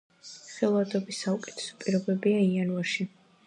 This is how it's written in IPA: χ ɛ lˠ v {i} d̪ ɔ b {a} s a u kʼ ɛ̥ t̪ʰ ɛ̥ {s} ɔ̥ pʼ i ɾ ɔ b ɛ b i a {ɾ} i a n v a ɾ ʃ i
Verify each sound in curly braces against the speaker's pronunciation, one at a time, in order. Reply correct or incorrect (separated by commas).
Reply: incorrect, incorrect, correct, incorrect